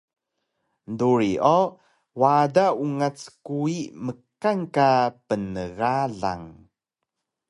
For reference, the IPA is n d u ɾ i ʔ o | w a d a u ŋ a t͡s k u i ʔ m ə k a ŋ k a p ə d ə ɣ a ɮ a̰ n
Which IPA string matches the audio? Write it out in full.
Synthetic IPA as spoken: n d u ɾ i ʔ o | w a d a u ŋ a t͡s k u i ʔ m ə k a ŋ k a p ə n ə ɣ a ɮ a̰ ŋ